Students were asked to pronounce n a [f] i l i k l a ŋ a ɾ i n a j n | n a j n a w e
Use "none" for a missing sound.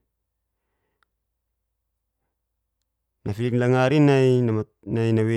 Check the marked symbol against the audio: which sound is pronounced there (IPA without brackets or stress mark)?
f